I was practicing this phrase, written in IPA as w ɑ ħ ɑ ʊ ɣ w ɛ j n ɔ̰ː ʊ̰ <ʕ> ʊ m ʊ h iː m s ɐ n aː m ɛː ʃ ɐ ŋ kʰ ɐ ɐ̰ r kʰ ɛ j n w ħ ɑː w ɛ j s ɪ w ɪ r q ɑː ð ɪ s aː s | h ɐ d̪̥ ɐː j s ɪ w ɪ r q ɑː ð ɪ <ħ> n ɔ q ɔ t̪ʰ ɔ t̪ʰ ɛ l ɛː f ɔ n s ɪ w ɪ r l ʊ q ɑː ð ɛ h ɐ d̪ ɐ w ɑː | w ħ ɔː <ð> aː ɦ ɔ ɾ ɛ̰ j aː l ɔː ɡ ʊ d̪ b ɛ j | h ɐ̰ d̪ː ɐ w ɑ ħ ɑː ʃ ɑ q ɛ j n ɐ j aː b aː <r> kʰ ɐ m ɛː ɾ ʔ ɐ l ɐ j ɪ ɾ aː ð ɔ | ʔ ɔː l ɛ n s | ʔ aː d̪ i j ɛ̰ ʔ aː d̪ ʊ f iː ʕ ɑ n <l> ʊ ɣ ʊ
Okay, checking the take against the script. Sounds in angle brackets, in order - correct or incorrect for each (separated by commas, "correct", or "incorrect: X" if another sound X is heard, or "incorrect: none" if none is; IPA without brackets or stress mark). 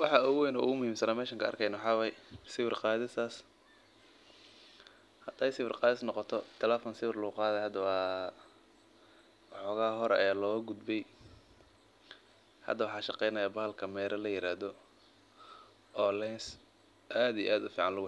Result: incorrect: ɣ, incorrect: s, incorrect: ɣ, incorrect: l, correct